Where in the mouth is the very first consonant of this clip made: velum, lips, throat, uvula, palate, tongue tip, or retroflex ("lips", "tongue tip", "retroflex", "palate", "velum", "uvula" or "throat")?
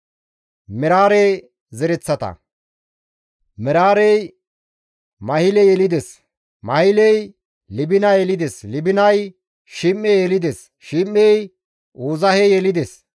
lips